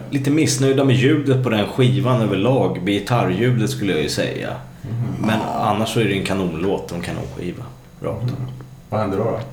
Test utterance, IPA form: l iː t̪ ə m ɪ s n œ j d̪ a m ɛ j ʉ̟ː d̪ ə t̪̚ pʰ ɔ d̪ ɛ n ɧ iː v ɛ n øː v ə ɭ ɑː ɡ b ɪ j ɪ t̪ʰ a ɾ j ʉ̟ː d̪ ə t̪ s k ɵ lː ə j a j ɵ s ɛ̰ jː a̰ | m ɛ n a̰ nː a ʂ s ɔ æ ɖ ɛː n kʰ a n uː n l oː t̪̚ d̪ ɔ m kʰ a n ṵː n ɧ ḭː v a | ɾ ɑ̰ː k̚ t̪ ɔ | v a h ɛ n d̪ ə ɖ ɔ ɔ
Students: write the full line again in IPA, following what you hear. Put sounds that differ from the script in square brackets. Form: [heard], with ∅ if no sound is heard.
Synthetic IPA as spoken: l iː t̪ ə m ɪ s n œ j d̪ a m ɛ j ʉ̟ː d̪ ə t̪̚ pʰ ɔ d̪ ɛ n ɧ iː v [a] n øː v ə ɭ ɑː ɡ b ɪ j ɪ t̪ʰ a ɾ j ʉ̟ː d̪ ə t̪ s k ɵ lː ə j a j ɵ s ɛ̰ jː a̰ | m ɛ n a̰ nː a ʂ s ɔ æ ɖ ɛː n kʰ a n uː n l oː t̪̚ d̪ ɔ m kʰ a n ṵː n ɧ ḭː v a | ɾ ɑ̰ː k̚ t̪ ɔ | v a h ɛ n d̪ ə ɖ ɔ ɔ